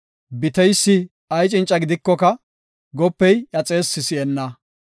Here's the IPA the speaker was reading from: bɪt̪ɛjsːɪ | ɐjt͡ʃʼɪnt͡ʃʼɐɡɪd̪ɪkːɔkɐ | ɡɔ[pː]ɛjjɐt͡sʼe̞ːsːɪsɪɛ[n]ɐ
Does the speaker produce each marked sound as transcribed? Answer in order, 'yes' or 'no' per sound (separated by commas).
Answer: yes, no